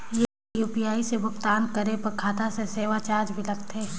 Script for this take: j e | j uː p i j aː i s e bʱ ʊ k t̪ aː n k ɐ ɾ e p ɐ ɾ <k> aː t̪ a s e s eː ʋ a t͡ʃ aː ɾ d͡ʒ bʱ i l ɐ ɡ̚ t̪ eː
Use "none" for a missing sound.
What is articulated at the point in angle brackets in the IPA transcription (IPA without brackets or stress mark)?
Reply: kʰ